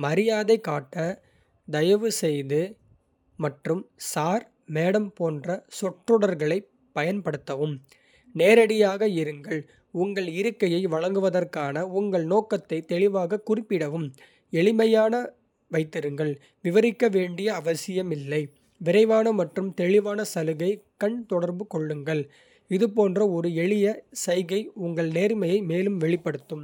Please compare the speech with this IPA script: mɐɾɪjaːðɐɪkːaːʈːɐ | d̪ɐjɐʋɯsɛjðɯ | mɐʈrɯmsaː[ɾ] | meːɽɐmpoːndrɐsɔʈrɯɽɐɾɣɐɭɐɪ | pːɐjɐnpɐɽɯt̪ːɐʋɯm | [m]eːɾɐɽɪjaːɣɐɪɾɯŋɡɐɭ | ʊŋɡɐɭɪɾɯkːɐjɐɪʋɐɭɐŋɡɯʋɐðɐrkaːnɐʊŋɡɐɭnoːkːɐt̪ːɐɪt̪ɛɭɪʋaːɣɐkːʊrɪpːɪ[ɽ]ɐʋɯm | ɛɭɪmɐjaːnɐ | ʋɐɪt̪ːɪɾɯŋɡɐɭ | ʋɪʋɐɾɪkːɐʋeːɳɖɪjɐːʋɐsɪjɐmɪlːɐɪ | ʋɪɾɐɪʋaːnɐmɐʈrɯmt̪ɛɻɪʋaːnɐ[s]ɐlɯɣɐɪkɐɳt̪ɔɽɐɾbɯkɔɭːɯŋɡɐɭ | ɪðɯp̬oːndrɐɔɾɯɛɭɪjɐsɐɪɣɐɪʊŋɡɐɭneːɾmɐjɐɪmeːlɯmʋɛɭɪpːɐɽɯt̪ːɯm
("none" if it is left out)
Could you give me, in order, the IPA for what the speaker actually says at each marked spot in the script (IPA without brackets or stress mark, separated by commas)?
ɾ, n, ɽ, s